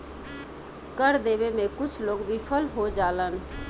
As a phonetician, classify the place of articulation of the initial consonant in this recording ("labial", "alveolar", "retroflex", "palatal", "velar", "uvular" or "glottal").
velar